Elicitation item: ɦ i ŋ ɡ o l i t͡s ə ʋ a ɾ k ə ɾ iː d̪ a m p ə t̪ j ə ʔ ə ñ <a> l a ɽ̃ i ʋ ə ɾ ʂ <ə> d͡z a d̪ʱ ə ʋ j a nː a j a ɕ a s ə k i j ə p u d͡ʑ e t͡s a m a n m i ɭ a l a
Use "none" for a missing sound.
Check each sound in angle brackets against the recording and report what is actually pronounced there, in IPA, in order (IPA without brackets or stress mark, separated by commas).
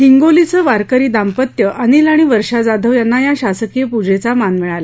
i, a